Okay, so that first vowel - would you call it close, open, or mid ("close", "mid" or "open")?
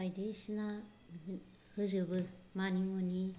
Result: open